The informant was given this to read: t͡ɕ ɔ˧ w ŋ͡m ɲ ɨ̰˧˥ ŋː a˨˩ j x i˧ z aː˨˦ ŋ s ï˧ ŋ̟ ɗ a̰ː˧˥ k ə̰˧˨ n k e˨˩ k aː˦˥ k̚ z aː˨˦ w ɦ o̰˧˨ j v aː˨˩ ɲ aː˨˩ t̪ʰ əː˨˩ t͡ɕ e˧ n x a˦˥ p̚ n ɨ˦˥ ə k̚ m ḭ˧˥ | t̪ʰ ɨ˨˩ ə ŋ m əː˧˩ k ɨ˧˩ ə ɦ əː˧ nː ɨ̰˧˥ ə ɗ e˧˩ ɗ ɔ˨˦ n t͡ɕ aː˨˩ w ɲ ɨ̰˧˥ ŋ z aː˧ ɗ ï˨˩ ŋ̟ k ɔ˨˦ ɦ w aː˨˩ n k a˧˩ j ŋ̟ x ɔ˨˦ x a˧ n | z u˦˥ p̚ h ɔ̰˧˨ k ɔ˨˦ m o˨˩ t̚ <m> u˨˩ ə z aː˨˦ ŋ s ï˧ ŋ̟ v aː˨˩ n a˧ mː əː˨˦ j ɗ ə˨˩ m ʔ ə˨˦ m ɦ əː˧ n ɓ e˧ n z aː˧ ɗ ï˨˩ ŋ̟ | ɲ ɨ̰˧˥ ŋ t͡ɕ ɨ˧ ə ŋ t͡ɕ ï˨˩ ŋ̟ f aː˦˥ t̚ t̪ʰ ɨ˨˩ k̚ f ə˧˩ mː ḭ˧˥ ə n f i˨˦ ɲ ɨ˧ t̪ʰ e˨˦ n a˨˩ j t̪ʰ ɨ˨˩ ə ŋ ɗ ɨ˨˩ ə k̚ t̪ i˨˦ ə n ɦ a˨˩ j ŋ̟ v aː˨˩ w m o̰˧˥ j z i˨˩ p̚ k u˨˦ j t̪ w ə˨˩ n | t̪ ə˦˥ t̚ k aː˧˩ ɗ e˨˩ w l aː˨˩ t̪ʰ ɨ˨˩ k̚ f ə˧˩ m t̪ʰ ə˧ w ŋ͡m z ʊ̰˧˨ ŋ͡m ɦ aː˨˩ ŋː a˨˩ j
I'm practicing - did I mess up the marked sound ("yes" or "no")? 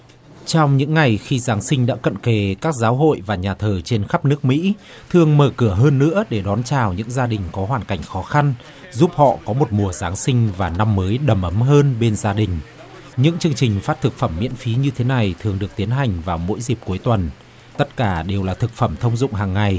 no